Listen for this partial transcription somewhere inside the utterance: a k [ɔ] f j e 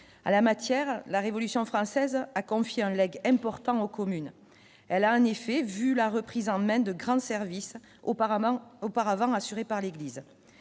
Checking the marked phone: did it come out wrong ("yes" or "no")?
yes